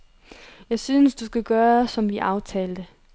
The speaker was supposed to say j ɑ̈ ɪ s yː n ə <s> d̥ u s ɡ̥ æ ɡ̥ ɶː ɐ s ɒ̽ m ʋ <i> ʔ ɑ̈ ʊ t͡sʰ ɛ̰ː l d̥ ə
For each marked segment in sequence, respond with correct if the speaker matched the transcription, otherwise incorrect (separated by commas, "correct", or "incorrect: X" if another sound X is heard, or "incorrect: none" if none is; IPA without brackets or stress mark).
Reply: correct, correct